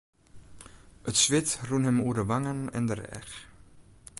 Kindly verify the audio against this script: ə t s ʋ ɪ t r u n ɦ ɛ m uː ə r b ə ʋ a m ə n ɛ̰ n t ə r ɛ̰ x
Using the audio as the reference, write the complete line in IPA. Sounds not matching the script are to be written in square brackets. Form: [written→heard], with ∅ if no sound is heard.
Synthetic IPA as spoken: ə t s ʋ ɪ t r u n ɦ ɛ m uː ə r [b→d] ə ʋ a [m→ŋ] ə n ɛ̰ n [t→d] ə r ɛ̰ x